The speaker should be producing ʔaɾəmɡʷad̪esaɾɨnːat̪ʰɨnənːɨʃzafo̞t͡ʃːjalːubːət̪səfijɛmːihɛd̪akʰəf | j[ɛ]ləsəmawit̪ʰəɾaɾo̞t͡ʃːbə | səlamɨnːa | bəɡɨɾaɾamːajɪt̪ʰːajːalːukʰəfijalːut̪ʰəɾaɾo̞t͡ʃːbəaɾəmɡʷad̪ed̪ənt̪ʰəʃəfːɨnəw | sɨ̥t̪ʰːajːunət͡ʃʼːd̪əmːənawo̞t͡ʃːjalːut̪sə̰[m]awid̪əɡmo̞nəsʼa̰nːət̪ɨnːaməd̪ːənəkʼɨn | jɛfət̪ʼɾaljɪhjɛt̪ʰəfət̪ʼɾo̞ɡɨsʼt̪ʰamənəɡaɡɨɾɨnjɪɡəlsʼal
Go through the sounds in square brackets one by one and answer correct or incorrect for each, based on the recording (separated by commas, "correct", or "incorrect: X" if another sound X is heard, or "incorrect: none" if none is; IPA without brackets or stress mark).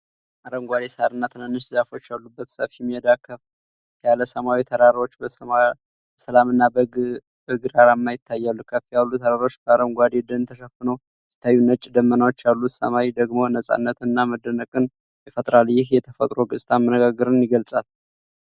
incorrect: a, correct